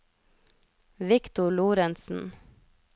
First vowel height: high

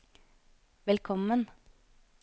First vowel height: mid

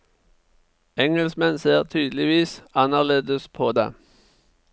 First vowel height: mid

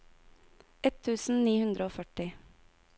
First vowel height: mid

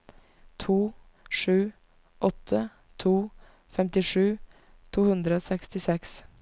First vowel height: high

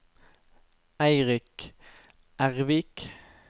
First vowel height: low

